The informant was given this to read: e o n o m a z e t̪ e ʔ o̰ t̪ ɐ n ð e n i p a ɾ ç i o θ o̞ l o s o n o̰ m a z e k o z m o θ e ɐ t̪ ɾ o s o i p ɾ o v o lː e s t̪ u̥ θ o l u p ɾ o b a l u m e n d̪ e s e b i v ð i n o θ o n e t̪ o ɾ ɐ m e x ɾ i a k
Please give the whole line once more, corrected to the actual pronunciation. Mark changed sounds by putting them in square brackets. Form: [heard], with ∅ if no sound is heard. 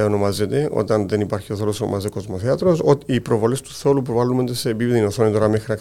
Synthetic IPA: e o n o m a z e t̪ e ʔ o̰ t̪ ɐ n ð e n i p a ɾ ç i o θ o̞ l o s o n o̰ m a z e k o z m o θ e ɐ t̪ ɾ o s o i p ɾ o v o [l] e s t̪ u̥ θ o l u p ɾ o [v] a l u m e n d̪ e s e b i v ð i n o θ o n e t̪ o ɾ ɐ m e x ɾ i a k